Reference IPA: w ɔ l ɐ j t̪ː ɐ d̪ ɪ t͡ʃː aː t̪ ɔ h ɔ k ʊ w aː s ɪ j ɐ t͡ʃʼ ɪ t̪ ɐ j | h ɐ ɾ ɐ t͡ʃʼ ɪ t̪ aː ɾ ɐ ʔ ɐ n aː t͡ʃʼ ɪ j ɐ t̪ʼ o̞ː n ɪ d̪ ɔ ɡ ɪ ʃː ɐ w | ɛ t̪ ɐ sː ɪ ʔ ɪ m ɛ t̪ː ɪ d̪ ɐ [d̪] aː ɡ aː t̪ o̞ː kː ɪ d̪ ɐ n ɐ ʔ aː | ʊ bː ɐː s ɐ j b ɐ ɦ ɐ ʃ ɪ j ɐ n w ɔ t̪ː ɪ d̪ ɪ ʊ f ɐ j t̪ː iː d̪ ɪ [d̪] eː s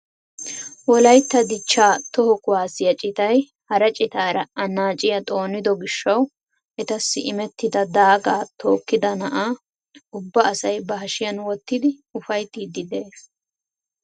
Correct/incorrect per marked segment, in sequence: correct, correct

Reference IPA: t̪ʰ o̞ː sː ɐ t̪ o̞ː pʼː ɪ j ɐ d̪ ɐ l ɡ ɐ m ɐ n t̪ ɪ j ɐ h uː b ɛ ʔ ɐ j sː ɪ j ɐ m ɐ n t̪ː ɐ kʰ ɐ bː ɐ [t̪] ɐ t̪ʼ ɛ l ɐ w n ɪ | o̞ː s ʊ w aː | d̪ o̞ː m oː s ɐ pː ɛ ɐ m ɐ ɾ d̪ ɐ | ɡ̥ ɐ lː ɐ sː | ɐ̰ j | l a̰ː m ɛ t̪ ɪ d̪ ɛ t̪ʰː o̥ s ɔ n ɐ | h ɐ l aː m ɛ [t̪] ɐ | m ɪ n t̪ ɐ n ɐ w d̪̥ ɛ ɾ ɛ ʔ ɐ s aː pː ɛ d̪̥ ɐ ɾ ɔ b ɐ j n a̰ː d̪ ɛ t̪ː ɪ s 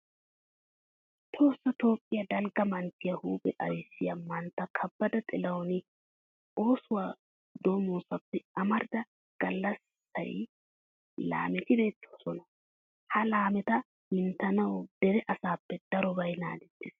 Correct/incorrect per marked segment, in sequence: incorrect: d̪, correct

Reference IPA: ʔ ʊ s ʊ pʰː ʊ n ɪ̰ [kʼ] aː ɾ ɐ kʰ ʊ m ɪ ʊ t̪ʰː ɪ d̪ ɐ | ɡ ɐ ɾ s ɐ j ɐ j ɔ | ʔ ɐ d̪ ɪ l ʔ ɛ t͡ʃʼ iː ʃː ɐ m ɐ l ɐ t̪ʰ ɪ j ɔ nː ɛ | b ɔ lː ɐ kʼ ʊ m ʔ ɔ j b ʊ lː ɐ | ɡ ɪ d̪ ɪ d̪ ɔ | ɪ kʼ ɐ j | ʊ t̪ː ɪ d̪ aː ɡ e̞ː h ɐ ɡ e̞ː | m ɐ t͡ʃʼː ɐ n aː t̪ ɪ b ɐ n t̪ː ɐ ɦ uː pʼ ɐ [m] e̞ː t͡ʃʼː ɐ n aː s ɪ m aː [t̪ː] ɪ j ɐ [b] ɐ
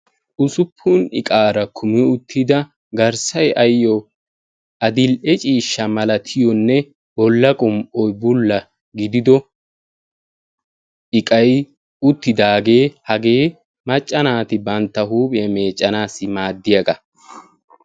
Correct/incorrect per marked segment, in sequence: correct, correct, incorrect: d̪ː, incorrect: ɡ

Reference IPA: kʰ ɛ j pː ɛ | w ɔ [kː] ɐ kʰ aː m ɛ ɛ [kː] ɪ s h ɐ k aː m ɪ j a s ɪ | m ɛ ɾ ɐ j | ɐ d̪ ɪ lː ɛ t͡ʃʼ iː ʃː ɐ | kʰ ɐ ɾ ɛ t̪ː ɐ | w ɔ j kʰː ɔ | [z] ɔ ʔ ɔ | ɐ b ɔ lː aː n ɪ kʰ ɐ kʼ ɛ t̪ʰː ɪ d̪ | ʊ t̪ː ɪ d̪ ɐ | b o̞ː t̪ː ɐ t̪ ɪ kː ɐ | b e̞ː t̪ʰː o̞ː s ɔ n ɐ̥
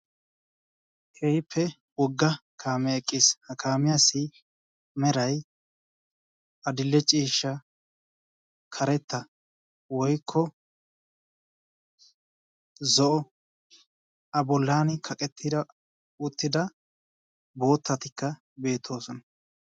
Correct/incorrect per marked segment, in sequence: incorrect: ɡː, incorrect: kʼː, correct

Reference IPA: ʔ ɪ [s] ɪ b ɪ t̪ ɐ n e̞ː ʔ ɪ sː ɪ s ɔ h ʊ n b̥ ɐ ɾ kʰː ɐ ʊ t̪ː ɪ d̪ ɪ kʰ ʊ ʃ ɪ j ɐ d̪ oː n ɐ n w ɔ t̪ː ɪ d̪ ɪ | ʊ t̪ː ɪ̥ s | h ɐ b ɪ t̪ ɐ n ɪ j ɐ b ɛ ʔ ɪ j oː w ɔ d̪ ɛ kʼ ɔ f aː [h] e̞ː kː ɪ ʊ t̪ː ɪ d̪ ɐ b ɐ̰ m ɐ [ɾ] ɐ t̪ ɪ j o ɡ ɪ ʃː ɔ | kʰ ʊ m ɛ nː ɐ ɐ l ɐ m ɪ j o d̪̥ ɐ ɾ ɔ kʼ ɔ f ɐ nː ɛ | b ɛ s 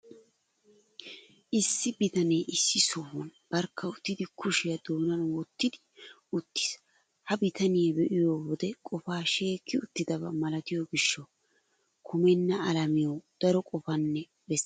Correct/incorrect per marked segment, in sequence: incorrect: sː, incorrect: ʃ, incorrect: l

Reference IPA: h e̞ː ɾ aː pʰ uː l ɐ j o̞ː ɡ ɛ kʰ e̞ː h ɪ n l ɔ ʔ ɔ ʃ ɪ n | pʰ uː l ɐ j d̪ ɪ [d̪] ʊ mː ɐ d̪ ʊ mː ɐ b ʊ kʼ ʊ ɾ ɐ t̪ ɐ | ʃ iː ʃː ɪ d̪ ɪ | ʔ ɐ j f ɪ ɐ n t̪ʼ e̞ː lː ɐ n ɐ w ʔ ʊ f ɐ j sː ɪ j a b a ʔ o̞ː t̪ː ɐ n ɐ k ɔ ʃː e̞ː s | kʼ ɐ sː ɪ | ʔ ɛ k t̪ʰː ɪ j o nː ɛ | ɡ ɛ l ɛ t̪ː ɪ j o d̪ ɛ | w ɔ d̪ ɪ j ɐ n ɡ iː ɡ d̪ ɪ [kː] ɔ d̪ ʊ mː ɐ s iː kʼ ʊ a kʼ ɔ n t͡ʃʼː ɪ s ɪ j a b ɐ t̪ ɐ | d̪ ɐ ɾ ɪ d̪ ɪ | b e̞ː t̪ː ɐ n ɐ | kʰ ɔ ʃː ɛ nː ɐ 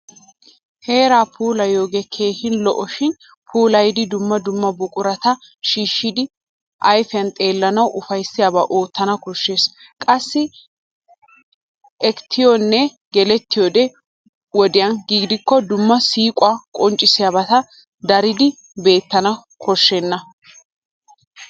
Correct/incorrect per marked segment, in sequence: correct, correct

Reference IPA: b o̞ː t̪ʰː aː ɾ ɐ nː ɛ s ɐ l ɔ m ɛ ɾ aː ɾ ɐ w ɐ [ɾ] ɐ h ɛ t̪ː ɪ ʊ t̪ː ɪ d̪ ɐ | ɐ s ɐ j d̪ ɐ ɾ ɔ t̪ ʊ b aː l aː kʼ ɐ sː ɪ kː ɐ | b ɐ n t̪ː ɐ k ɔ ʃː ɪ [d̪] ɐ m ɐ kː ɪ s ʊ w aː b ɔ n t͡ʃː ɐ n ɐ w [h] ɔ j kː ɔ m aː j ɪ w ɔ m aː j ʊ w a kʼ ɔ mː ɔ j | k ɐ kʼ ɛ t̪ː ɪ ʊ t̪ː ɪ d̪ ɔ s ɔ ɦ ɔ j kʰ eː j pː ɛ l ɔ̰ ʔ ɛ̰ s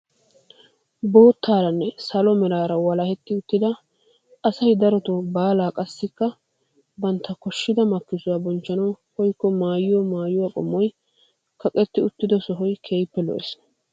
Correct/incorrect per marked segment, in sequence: incorrect: l, correct, correct

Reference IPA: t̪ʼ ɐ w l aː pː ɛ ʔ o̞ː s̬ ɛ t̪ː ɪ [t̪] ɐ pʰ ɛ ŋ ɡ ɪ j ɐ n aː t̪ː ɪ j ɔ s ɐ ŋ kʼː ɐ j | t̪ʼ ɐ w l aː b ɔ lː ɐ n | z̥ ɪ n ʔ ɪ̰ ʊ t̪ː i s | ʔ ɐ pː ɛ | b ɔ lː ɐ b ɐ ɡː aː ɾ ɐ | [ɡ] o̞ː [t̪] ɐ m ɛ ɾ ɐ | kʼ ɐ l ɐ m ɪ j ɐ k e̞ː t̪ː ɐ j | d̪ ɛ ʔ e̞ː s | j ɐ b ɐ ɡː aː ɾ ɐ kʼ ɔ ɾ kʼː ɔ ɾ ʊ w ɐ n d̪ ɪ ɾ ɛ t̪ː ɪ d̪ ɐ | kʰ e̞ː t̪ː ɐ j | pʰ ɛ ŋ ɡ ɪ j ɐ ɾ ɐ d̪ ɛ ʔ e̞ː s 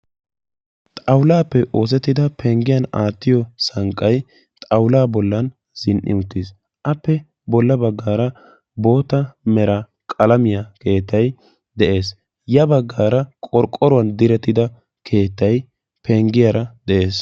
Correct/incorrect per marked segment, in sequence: incorrect: d̪, incorrect: b, correct

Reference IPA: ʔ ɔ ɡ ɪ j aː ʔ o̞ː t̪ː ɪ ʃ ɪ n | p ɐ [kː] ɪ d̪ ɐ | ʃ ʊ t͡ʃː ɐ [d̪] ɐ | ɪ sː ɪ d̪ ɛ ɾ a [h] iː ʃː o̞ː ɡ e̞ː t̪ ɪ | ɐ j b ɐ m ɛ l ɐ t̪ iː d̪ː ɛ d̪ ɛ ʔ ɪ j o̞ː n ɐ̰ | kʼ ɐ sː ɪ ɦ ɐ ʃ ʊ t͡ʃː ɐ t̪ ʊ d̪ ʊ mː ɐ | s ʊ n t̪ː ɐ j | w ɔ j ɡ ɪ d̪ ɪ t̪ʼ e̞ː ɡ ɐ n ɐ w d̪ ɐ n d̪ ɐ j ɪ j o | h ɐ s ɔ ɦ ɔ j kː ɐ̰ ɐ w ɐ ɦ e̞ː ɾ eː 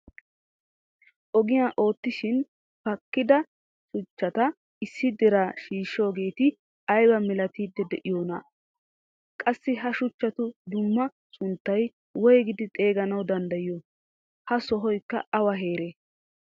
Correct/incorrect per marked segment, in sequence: correct, incorrect: t̪, incorrect: ʃ

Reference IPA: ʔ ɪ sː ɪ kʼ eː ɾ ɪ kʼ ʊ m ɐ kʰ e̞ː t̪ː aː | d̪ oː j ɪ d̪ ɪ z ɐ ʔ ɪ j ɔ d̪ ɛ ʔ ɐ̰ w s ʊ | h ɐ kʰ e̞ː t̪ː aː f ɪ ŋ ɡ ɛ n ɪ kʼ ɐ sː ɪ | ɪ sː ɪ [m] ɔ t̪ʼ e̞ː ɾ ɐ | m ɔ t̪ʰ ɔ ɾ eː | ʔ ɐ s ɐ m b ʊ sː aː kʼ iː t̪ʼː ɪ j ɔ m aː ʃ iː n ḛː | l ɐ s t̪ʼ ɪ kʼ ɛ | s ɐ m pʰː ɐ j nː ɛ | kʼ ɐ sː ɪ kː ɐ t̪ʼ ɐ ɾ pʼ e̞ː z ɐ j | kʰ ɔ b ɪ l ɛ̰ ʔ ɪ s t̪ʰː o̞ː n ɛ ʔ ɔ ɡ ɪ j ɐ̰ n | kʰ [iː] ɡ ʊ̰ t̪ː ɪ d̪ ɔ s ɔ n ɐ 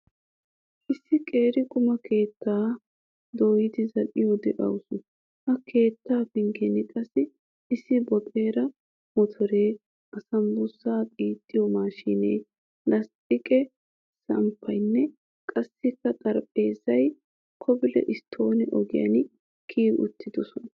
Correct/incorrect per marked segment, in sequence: incorrect: b, correct

